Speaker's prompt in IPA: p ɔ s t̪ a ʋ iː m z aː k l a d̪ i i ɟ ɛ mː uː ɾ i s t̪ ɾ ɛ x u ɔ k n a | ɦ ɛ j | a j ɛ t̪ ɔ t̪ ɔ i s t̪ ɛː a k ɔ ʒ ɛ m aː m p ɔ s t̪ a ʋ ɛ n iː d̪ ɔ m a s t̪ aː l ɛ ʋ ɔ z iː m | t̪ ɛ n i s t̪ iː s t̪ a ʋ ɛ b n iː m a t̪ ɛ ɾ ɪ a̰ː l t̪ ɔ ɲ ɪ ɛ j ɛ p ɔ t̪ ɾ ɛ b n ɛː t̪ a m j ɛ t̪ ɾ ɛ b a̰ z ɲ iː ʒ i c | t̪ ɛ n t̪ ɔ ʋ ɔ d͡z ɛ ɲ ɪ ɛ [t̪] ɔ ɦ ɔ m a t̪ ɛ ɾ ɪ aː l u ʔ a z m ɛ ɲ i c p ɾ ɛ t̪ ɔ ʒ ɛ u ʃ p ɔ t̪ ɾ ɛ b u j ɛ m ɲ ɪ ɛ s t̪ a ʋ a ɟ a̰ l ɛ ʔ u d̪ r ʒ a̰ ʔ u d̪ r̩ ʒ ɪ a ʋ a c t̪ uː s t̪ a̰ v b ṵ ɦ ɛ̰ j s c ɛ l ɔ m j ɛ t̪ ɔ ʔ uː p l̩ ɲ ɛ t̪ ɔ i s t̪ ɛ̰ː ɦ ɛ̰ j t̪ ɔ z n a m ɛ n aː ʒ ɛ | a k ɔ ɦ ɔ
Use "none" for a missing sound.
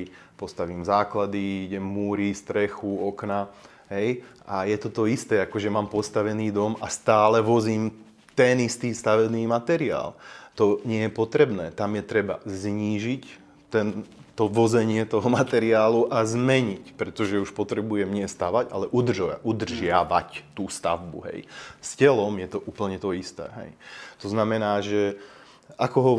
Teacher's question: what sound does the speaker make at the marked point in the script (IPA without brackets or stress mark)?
t̪